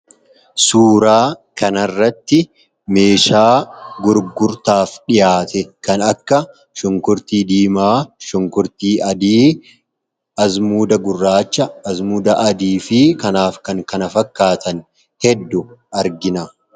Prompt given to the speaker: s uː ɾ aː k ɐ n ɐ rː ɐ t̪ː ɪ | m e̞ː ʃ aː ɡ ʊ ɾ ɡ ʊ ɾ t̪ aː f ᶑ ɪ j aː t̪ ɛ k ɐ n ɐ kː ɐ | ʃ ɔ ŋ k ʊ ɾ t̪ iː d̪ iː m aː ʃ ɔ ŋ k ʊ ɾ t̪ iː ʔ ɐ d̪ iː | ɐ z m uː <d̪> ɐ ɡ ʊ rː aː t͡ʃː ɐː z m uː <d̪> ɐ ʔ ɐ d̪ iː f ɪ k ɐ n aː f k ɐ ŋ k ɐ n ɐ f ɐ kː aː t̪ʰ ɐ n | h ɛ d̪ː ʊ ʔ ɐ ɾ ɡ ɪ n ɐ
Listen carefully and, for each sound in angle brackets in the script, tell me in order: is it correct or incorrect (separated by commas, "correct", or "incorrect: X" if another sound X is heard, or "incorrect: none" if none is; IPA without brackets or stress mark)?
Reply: correct, correct